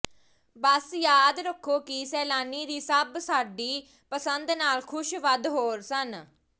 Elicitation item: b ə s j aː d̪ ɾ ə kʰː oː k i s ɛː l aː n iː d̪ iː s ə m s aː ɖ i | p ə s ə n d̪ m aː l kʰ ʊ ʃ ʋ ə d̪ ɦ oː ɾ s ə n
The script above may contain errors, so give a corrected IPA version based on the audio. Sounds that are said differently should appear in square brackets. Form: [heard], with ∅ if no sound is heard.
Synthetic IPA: b ə s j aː d̪ ɾ ə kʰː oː k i s ɛː l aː n iː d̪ iː s ə [b] s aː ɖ [iː] | p ə s ə n d̪ [n] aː l kʰ ʊ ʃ ʋ ə d̪ ɦ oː ɾ s ə n